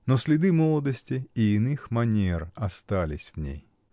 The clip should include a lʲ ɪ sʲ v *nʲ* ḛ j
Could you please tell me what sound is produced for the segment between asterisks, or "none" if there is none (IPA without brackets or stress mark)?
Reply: nʲ